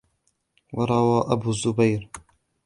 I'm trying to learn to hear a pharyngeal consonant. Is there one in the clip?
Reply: no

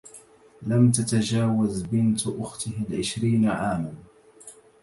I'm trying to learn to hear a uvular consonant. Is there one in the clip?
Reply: no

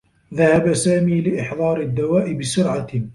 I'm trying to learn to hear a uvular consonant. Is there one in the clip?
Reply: no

